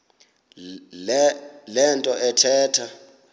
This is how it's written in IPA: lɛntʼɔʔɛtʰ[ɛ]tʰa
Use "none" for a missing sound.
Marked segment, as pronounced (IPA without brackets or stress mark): ɛː